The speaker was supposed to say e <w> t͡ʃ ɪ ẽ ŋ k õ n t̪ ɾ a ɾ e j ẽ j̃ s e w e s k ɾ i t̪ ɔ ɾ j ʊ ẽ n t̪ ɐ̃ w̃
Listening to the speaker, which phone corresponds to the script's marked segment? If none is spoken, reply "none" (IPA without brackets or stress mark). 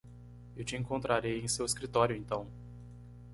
w